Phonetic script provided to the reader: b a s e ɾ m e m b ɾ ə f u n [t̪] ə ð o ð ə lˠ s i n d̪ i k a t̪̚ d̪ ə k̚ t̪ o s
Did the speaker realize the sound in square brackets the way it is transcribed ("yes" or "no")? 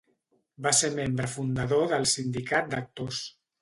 no